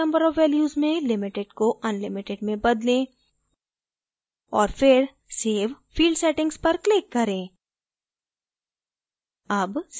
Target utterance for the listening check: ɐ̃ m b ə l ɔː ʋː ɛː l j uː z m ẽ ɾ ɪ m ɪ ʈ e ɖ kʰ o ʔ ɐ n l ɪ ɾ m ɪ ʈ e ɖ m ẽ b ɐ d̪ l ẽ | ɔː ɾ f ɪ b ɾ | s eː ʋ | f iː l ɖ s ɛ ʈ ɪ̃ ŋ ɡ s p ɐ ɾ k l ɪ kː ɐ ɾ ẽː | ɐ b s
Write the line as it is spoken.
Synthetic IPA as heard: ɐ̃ m b ə ɾ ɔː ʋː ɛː l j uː z m ẽ l ɪ m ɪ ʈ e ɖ k o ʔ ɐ n l ɪ m ɪ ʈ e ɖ m ẽ b ɐ d̪ l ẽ | ɔː ɾ f ɪ ɾ | s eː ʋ | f iː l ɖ s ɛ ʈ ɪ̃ ŋ ɡ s p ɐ ɾ k l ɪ kː ɐ ɾ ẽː | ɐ b s

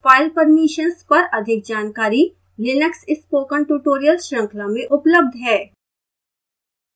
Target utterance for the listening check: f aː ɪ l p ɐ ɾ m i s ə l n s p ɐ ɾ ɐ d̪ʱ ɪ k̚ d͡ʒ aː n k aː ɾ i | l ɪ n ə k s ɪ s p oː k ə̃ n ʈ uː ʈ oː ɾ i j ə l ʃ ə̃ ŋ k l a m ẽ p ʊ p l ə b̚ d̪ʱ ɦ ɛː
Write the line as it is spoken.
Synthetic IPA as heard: f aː ɪ l p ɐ ɾ m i ʃ ə n s p ɐ ɾ ɐ d̪ʱ ɪ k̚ d͡ʒ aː n k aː ɾ i | l ɪ n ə k s ɪ s p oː k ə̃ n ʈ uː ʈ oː ɾ i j ə l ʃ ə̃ ŋ k l a m ẽ ʔ ʊ p l ə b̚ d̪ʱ ɦ ɛː

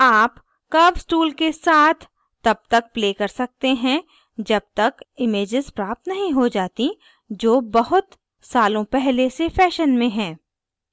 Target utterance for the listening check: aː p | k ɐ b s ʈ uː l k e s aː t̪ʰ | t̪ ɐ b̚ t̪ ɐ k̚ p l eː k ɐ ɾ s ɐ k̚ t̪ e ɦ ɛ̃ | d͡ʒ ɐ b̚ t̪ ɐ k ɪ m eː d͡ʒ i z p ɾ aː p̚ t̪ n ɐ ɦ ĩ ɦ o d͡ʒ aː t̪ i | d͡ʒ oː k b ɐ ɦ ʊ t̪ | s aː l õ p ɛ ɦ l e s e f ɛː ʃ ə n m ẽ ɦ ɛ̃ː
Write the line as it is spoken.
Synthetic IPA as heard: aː p | k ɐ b s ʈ uː l k e s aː t̪ʰ | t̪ ɐ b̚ t̪ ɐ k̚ p l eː k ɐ ɾ s ɐ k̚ t̪ e ɦ ɛ̃ | d͡ʒ ɐ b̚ t̪ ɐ k ɪ m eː d͡ʒ ɪ z p ɾ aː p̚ t̪ n ɐ ɦ ĩ ɦ o d͡ʒ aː t̪ i | d͡ʒ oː b ɐ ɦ ʊ t̪ | s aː l õ p ɛ ɦ l e s e f ɛː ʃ ə n m ẽ ɦ ɛ̃ː

